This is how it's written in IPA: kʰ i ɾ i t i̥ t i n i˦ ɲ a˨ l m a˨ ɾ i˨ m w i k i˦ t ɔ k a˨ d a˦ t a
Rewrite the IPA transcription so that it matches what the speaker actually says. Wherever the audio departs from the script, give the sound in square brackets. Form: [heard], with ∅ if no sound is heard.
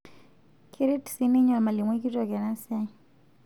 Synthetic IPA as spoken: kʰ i ɾ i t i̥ [s] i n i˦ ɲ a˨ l m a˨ [l] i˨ m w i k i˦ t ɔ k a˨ [n] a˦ [s] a